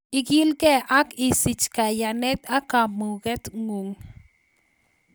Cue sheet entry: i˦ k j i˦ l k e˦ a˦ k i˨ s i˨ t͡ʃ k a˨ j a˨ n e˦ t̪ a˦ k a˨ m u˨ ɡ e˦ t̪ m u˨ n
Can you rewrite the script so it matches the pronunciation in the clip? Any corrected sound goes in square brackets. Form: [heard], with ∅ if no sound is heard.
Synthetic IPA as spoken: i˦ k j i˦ l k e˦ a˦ k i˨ s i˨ t͡ʃ k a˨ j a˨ n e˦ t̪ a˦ k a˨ m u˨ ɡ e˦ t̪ [ŋ] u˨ [ŋ]

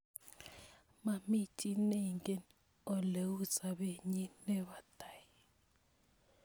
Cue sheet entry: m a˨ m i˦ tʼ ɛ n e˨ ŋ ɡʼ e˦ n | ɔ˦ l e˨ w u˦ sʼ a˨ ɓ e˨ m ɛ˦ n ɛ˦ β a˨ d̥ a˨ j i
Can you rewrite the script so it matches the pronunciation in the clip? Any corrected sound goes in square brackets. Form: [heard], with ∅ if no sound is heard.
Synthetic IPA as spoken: m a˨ m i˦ tʼ [i] n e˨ ŋ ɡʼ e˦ n | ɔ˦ l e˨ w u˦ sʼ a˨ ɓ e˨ [ɲ] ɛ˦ n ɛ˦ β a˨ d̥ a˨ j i

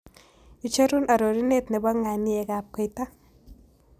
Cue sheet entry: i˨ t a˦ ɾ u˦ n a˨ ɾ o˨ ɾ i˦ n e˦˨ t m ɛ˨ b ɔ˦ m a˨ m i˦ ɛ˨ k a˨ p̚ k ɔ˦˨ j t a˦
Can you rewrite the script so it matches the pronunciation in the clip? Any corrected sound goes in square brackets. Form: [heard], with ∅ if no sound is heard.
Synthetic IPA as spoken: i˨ [t͡ʃ] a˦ ɾ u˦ n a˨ ɾ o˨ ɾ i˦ n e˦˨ t [n] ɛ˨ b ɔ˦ [ŋ] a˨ [n] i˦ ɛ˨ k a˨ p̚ k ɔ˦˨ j t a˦

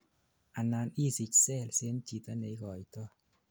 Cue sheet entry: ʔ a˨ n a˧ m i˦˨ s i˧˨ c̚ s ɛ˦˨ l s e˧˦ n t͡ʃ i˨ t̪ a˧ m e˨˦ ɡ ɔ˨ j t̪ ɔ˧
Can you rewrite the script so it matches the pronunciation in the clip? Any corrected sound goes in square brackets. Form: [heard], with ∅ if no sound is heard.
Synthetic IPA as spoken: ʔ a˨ n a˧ [n] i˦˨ s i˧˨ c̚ s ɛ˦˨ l s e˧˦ n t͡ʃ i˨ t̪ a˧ [n] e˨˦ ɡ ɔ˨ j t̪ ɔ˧

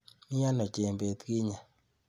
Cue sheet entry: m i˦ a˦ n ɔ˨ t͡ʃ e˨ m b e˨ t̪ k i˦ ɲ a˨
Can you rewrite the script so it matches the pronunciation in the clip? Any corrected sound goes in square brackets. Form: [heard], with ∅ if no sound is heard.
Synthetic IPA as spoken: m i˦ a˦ n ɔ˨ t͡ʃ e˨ m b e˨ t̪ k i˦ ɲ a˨

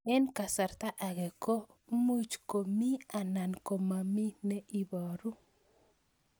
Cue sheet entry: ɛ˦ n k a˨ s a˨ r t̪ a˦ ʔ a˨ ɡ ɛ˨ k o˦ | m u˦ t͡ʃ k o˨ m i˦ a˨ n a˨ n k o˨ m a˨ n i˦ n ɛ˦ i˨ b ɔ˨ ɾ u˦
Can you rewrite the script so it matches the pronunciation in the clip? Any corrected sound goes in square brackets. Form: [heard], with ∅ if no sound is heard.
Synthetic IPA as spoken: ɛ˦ n k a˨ s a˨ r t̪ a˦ ʔ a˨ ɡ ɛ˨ k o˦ | m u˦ t͡ʃ k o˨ m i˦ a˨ n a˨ n k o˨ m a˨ [m] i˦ n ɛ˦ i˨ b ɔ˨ ɾ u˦

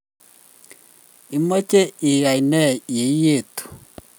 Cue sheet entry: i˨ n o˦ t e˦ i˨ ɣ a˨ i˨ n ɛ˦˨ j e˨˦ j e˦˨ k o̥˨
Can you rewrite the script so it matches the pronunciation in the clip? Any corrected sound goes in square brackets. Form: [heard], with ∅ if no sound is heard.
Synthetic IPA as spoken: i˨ [m] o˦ [t͡ʃ] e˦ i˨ ɣ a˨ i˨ n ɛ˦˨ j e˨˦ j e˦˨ [t] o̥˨

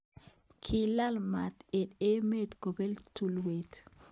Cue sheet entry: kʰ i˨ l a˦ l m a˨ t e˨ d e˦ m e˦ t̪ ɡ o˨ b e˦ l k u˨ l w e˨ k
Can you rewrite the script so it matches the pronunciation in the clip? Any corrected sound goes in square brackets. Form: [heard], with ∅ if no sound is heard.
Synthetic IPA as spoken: kʰ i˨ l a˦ l m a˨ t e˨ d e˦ m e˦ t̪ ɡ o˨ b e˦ l [t] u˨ l w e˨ [t]

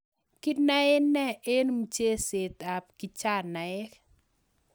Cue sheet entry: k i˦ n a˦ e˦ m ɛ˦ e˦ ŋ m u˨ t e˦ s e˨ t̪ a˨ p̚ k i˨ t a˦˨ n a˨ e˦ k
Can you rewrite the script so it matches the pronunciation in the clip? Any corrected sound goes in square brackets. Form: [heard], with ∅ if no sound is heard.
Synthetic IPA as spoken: k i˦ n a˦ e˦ [n] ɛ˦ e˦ [n] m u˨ [t͡ʃ] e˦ s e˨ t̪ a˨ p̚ k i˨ [t͡ʃ] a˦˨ n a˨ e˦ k

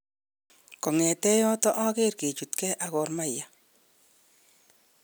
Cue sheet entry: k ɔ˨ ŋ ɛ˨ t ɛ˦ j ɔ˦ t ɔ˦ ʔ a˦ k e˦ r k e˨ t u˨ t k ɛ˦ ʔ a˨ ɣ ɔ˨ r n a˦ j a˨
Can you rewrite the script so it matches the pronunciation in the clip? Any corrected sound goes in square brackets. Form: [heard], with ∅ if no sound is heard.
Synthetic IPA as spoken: k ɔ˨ ŋ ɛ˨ t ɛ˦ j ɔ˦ t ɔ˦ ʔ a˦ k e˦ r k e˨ [t͡ʃ] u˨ t k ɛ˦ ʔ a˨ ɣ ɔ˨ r [m] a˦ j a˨

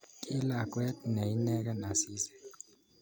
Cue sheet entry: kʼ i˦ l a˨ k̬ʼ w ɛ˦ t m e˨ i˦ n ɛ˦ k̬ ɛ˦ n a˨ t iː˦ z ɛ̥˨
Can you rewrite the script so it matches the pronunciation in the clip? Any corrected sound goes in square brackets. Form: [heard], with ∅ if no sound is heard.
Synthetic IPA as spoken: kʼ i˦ l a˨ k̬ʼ w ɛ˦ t [n] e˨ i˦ n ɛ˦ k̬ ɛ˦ n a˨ [s] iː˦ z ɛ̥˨

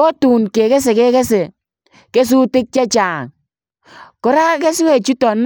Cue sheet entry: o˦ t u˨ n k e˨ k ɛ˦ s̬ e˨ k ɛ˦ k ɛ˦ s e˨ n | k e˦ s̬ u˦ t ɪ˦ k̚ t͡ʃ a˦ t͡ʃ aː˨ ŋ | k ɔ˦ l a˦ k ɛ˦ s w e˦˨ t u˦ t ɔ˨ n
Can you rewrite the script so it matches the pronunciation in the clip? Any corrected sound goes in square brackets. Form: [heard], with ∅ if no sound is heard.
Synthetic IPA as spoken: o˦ t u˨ n k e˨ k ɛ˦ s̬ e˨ k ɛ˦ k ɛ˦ s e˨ [∅] | k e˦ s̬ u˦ t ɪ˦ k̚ t͡ʃ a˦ t͡ʃ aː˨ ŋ | k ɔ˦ [ɾ] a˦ k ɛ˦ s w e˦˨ [t͡ʃ] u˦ t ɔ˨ n

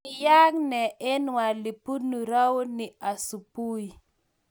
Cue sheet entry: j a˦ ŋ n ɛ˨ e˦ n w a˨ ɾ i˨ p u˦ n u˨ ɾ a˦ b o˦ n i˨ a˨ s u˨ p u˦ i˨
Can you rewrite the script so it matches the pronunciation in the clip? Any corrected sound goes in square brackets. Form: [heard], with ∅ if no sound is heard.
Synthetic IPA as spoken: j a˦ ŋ n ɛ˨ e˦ n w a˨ [l] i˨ p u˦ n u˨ ɾ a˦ [w] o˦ n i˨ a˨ s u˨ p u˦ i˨

